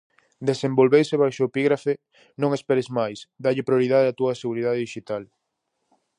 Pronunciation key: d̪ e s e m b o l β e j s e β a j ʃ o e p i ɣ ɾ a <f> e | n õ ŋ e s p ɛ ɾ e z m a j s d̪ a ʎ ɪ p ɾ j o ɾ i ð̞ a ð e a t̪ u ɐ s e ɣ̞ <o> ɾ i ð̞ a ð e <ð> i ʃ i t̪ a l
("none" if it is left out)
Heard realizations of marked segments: f, u, ð

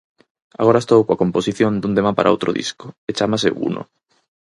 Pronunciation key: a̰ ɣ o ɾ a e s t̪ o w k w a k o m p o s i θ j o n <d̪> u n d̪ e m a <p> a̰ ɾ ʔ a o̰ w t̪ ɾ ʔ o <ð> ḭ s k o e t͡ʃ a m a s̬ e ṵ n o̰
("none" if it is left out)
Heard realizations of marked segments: d̪, p, ð

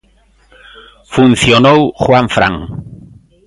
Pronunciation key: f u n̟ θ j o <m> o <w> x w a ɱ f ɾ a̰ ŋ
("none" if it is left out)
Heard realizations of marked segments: n, w

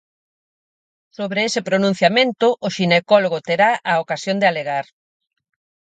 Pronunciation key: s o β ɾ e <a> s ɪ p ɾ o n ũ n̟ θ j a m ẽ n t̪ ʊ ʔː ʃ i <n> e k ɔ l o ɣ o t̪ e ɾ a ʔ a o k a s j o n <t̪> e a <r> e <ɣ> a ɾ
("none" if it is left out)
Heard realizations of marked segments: e, n, d̪, l, ɣ

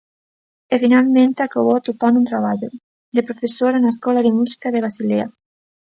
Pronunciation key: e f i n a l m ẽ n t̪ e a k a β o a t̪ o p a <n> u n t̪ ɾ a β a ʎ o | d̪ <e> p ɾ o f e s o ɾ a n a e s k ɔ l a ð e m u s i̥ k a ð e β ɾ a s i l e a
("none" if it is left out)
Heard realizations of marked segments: n, e

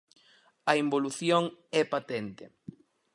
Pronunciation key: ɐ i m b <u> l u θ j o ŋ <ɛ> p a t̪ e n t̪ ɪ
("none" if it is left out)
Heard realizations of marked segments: o, ɛ

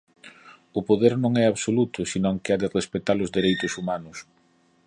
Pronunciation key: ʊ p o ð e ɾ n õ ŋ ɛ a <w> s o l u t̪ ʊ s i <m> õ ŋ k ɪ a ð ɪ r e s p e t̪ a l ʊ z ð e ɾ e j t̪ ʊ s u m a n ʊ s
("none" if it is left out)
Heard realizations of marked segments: β, n

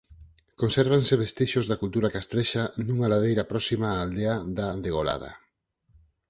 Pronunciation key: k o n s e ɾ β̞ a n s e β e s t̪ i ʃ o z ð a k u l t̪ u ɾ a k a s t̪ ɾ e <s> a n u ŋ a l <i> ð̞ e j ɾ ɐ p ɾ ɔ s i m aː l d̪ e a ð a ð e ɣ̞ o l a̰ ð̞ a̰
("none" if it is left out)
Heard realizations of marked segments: ʃ, a

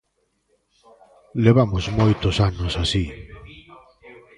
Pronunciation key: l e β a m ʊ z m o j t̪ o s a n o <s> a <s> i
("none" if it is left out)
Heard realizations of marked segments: s, s

